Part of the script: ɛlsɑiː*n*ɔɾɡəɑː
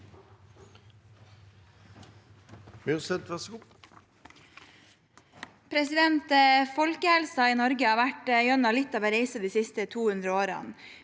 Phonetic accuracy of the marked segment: correct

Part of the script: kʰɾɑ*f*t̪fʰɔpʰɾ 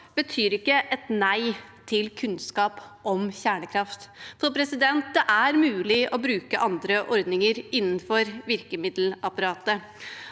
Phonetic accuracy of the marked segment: correct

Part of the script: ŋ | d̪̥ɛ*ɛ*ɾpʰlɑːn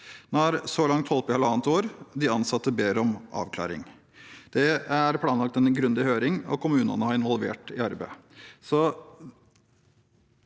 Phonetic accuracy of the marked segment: incorrect: æ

